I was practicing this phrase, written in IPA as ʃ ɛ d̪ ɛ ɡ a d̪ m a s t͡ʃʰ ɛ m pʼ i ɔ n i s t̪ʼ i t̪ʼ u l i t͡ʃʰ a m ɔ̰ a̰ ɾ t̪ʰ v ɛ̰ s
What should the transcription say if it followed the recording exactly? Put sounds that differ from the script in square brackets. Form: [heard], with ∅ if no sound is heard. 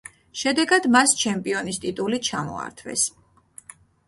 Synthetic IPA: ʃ ɛ d̪ ɛ ɡ a d̪ m a s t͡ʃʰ ɛ m pʼ i ɔ n i s t̪ʼ i t̪ʼ u l i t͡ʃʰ a m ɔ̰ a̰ ɾ t̪ʰ v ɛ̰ s